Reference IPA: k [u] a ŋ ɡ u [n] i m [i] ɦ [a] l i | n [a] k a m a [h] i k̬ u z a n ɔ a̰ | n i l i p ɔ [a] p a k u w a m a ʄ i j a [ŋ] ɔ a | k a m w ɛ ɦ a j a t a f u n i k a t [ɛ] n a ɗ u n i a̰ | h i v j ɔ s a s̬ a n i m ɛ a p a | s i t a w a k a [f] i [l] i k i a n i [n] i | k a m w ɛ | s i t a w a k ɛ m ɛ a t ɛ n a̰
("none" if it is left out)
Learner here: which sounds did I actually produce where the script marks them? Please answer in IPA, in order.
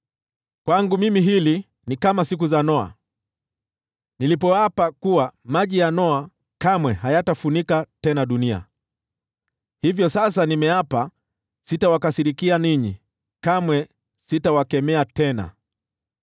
w, m, i, i, i, s, a, n, ɛ, s, ɾ, ɲ

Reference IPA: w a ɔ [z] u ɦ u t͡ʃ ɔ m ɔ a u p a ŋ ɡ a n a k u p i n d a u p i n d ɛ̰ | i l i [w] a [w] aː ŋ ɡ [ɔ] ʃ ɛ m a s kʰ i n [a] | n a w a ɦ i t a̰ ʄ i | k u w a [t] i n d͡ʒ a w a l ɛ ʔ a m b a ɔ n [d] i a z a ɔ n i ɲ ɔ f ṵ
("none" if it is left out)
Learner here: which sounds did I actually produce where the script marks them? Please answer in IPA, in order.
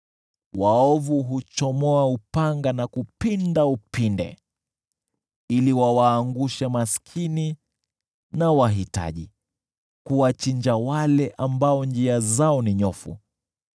v, w, w, u, i, t͡ʃ, d͡ʒ

